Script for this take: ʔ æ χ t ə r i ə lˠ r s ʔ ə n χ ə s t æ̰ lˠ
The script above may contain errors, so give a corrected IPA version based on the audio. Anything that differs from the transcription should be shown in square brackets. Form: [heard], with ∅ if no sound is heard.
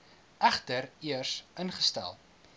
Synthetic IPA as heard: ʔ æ χ t ə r i ə [∅] r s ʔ ə n χ ə s t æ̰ lˠ